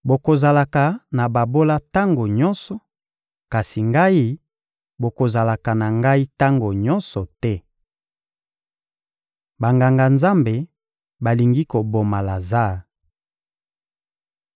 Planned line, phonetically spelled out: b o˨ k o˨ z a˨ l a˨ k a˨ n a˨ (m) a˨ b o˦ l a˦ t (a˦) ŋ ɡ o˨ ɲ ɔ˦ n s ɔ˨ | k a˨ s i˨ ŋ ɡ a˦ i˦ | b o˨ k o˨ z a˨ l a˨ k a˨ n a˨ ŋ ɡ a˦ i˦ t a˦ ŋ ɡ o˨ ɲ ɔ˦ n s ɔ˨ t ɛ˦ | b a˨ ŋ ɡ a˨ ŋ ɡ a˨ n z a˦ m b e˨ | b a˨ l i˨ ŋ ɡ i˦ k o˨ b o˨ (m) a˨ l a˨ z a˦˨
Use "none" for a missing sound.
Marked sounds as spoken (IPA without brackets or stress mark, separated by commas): b, a˦, m